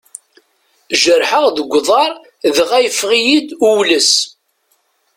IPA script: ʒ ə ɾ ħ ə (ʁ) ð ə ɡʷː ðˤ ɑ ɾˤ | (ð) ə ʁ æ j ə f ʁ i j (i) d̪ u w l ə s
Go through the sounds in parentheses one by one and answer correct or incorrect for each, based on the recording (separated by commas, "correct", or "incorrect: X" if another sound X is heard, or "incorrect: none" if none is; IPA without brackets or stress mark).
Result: correct, correct, correct